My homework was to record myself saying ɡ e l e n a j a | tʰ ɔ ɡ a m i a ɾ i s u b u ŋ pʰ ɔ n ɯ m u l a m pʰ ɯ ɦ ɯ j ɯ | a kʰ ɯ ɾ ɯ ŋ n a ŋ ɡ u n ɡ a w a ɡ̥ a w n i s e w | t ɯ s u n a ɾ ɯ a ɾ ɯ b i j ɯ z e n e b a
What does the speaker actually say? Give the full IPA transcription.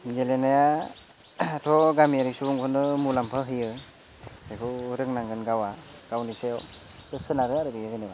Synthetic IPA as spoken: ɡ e l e n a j a | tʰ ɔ ɡ a m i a ɾ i s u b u ŋ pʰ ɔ n ɯ m u l a m pʰ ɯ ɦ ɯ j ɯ | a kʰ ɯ ɾ ɯ ŋ n a ŋ ɡ ɯ n ɡ a w a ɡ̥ a w n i s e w | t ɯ s ɯ n a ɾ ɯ a ɾ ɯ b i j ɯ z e n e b a